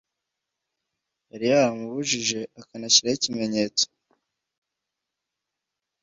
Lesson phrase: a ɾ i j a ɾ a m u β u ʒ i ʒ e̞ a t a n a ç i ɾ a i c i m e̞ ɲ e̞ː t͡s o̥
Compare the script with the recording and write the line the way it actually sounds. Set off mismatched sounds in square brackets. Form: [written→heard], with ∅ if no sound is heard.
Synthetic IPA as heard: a ɾ i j a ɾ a m u β u ʒ i ʒ e̞ a [t→k] a n a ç i ɾ a i c i m e̞ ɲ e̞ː t͡s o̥